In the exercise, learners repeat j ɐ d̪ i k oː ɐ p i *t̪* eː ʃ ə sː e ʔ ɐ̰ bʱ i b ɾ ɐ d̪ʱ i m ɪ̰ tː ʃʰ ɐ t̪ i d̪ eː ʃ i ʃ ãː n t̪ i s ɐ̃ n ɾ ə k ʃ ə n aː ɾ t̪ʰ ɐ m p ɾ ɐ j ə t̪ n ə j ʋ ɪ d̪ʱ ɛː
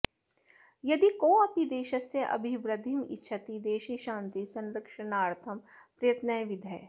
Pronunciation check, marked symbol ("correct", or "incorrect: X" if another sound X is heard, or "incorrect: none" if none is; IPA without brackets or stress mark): incorrect: d̪